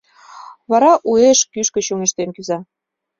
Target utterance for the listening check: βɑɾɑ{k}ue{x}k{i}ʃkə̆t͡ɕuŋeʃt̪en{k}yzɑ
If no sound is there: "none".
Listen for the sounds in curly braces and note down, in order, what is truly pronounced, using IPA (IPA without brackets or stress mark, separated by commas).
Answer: ʔ, ʃ, y, k